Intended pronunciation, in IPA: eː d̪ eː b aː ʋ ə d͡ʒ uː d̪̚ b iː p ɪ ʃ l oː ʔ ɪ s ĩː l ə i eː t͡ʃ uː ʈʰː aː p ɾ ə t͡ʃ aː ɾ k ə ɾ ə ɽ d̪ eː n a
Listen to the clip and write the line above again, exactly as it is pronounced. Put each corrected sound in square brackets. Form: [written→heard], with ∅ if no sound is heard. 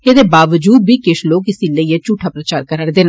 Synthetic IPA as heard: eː d̪ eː b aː ʋ ə d͡ʒ uː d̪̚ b iː [p→k] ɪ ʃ l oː [ʔ→k] ɪ s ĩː l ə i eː t͡ʃ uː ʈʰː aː p ɾ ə t͡ʃ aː ɾ k ə ɾ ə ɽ d̪ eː n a